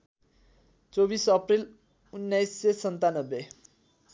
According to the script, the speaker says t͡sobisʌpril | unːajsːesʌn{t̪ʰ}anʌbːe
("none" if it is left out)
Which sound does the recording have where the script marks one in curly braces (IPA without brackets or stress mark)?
t̪